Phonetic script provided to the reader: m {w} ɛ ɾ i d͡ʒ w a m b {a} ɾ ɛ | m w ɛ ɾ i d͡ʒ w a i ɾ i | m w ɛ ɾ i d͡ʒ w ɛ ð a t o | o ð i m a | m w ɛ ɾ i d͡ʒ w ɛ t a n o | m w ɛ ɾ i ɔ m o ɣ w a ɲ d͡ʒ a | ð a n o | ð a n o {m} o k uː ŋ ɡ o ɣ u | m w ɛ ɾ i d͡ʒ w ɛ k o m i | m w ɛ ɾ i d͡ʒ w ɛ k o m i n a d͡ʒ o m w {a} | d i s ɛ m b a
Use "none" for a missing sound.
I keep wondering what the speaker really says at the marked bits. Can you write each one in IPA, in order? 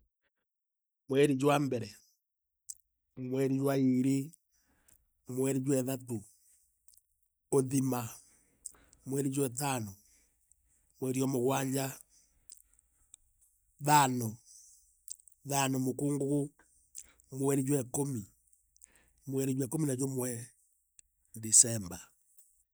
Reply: w, ɛ, m, ɛ

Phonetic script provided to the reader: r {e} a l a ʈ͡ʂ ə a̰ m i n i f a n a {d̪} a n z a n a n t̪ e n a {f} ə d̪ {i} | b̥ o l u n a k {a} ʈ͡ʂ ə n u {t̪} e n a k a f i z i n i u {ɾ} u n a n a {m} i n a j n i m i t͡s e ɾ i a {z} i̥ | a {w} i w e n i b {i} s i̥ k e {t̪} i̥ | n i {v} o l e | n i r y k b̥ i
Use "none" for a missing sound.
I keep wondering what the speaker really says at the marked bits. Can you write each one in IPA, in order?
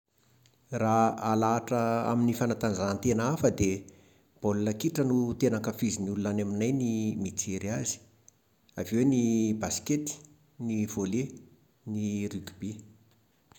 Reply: a, t̪, f, e, i, t̪, l, m, z, v, a, t̪, v

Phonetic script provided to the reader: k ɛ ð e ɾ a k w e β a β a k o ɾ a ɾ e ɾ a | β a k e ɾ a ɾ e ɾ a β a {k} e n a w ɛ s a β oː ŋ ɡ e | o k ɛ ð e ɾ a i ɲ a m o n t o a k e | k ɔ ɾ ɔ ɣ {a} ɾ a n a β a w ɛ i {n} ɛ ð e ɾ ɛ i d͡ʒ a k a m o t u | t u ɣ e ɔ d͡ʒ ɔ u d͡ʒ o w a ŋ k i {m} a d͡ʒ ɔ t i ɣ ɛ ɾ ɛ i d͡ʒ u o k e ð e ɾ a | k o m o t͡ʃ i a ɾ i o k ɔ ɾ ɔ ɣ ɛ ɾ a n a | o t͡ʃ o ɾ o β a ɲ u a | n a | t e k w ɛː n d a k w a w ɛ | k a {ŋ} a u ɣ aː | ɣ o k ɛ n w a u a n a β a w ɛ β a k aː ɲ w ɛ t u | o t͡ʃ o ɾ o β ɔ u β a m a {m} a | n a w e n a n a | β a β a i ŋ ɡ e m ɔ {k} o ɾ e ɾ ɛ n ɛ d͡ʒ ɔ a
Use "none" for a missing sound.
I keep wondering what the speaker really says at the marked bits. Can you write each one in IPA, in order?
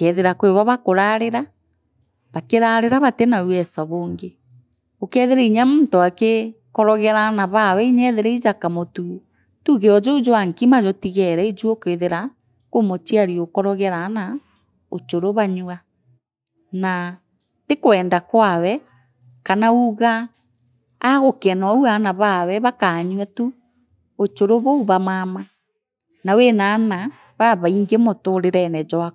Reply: t, ɛ, ɲ, m, n, m, t

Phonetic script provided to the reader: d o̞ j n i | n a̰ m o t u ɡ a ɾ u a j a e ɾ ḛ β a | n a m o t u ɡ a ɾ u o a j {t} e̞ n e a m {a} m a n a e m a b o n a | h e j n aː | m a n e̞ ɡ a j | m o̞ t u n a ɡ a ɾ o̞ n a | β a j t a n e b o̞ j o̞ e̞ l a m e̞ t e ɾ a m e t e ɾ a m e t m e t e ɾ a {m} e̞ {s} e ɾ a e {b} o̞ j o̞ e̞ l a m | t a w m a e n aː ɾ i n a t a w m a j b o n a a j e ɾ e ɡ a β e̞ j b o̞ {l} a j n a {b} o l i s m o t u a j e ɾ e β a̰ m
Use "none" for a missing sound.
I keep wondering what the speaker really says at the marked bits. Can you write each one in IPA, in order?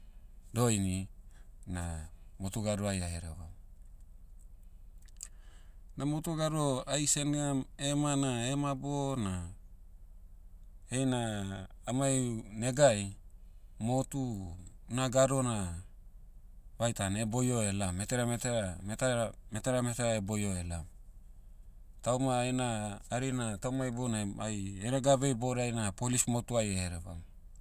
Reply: s, e, m, t, b, ɾ, p

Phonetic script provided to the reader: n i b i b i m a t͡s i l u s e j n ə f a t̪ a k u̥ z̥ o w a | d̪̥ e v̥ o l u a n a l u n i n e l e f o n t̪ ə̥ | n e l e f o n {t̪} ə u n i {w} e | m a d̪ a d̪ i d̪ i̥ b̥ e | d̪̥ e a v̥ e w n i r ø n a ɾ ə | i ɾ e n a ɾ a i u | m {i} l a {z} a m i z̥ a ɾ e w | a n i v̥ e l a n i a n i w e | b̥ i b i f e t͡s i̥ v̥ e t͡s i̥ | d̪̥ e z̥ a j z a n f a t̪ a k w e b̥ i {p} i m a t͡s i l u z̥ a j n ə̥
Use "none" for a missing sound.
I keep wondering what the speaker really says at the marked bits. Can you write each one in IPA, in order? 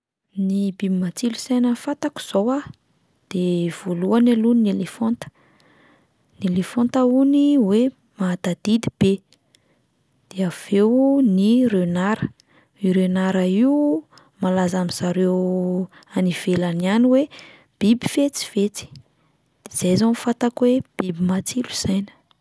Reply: t̪, w, a, z, b

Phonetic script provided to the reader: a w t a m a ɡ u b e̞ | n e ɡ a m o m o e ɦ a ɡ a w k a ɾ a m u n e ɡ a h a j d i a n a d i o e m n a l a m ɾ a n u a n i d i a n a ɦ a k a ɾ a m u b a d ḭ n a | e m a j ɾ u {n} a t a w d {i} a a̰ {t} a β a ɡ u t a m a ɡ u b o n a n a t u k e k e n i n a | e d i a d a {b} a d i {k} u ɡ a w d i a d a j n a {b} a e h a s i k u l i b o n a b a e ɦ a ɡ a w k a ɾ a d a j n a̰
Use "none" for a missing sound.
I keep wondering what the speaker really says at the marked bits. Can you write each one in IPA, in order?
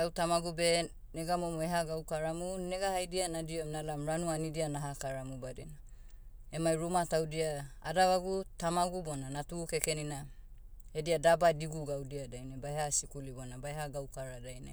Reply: m, i, d, b, ɡ, b

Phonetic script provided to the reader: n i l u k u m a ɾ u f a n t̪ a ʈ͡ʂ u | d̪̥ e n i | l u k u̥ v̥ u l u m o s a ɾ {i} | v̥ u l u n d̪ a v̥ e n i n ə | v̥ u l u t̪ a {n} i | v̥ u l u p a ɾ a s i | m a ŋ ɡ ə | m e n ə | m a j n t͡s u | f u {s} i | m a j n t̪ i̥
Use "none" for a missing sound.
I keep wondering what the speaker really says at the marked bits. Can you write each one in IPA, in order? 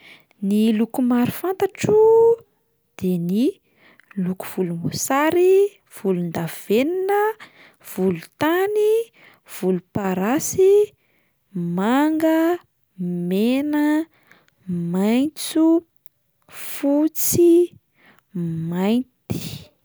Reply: i, n, t͡s

